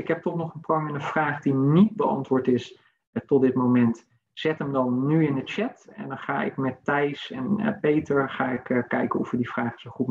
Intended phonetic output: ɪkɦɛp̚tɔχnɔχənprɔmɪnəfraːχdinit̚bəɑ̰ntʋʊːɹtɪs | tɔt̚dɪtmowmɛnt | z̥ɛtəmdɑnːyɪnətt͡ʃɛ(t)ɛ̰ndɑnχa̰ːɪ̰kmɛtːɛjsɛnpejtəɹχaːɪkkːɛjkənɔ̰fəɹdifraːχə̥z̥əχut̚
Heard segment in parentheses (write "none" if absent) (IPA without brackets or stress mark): t